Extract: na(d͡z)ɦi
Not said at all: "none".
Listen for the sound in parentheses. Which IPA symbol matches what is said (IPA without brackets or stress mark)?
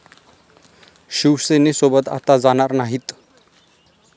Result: none